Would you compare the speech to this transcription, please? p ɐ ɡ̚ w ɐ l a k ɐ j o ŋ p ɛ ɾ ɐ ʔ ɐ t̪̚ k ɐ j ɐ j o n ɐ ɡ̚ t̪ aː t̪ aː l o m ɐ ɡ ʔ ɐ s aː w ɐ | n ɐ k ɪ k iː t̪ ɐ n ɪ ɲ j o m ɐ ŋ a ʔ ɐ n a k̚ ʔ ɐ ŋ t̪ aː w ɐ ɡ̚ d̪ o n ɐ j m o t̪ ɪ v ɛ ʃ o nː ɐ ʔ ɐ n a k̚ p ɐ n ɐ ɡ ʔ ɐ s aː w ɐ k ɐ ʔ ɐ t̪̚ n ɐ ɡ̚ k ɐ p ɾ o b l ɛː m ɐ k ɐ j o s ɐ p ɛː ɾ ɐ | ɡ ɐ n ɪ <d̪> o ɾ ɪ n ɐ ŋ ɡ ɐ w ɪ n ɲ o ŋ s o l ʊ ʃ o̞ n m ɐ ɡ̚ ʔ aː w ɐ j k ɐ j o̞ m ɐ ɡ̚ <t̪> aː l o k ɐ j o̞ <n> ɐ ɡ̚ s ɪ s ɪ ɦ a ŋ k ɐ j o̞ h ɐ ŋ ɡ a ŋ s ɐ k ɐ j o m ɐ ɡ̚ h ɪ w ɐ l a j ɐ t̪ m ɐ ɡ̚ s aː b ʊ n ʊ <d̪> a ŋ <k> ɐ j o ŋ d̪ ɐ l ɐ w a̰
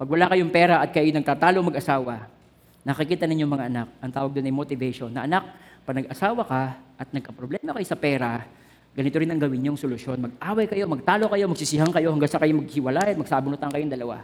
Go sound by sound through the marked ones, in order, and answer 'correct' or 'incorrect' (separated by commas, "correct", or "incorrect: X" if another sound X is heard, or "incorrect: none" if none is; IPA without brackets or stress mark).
incorrect: t̪, correct, incorrect: m, incorrect: t̪, correct